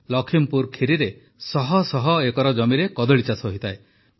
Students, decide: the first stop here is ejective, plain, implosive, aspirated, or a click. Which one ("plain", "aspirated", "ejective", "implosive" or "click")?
aspirated